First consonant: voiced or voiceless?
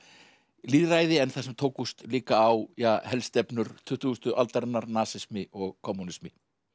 voiced